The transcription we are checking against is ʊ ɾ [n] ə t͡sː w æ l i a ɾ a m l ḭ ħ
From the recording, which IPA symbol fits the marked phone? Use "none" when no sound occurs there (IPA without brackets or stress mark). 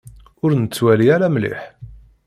n